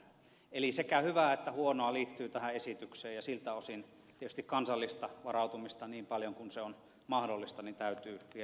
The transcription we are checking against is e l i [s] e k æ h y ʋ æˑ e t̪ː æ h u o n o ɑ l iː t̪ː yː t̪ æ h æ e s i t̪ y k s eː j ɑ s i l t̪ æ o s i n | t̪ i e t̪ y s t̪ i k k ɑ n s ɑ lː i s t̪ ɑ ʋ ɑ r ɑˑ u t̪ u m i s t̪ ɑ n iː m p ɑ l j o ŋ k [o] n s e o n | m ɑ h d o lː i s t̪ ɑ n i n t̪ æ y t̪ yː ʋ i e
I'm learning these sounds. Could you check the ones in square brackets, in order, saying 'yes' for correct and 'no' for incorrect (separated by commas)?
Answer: yes, no